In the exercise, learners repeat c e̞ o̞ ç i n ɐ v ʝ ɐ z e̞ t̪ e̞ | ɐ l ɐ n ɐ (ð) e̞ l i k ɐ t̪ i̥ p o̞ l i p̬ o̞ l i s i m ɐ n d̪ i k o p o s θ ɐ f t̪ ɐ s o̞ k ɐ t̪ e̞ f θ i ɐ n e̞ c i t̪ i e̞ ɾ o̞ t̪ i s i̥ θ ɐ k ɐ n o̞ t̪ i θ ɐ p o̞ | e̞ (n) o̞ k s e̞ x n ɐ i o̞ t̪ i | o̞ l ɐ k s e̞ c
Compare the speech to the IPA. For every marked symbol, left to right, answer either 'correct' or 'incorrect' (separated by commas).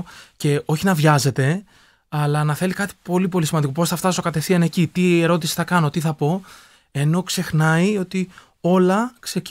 incorrect, correct